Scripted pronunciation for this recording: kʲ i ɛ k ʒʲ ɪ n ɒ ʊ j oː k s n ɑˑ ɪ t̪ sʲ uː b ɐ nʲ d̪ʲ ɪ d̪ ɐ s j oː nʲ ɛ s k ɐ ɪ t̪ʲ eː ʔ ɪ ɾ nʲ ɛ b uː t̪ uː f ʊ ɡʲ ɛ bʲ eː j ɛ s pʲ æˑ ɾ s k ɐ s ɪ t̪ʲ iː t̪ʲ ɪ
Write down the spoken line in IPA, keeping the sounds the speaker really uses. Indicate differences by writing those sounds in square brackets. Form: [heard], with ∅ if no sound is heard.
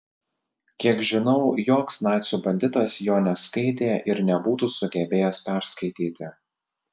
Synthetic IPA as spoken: kʲ i ɛ k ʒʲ ɪ n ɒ ʊ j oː k s n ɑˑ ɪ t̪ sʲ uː b ɐ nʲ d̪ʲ ɪ [t̪] ɐ s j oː nʲ ɛ s k ɐ ɪ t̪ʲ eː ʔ ɪ ɾ nʲ ɛ b uː t̪ uː [s] ʊ ɡʲ ɛ bʲ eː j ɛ s pʲ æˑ ɾ s k ɐ [∅] ɪ t̪ʲ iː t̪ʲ ɪ